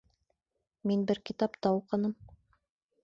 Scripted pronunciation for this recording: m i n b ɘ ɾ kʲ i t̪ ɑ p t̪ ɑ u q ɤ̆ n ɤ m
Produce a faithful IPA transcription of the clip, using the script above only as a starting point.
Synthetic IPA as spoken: m i n b ɘ ɾ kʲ i t̪ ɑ p t̪ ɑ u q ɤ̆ n ɤ m